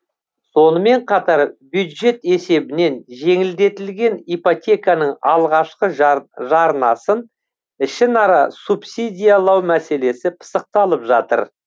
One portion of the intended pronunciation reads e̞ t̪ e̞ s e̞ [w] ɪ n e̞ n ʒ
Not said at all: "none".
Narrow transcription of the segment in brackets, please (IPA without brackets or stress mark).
b